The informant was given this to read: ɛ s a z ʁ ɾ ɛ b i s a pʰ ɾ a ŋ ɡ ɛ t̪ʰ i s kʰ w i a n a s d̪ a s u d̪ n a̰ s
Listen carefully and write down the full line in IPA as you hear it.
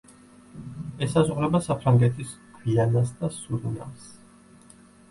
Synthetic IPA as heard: ɛ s a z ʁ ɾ ɛ b a s a pʰ ɾ a ŋ ɡ ɛ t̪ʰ i s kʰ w i a n a s d̪ a s u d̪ n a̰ s

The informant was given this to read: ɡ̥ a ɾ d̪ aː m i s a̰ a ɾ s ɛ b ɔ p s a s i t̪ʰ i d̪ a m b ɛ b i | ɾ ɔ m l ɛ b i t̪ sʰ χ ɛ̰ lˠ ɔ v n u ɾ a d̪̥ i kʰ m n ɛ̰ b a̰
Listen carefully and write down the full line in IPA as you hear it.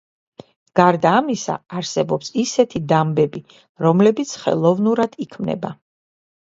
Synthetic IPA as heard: ɡ̥ a ɾ d̪ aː m i s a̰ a ɾ s ɛ b ɔ p s i s ɛ t̪ʰ i d̪ a m b ɛ b i | ɾ ɔ m l ɛ b i t̪ sʰ χ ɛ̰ lˠ ɔ v n u ɾ a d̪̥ i kʰ m n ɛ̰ b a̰

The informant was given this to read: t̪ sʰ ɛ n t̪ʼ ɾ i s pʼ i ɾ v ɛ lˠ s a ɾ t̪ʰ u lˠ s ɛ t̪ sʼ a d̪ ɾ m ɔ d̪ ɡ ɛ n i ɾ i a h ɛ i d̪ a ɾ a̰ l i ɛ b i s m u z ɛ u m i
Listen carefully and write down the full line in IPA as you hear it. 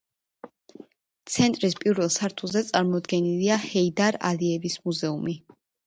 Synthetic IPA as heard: t̪ sʰ ɛ n t̪ʼ ɾ i s pʼ i ɾ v ɛ lˠ s a ɾ t̪ʰ u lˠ z ɛ t̪ sʼ a ɾ m ɔ d̪ ɡ ɛ n i l i a h ɛ i d̪ a ɾ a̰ l i ɛ v i s m u z ɛ u m i

